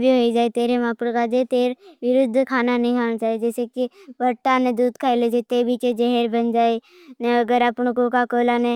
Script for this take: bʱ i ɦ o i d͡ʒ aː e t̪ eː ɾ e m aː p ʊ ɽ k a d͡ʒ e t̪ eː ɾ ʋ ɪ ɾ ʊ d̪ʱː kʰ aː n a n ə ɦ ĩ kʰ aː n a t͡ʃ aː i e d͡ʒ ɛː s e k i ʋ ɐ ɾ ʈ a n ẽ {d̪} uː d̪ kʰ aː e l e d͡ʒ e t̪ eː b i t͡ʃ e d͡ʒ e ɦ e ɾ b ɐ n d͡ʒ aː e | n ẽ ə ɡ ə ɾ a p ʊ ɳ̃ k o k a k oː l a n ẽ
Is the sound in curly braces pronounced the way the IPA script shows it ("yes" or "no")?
yes